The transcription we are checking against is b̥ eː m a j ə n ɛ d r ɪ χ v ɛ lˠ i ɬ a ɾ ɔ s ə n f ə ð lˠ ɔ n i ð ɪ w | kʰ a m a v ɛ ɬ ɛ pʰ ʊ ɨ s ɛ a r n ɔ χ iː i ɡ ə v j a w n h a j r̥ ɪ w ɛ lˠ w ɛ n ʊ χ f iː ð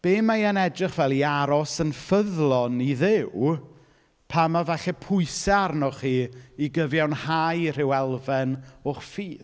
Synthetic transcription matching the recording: b̥ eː m a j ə n ɛ d r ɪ χ v ɛ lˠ i a ɾ ɔ s ə n f ə ð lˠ ɔ n i ð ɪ w | pʰ a m a v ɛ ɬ ɛ pʰ ʊ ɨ s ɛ a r n ɔ χ iː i ɡ ə v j a w n h a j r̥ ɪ w ɛ lˠ v ɛ n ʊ χ f iː ð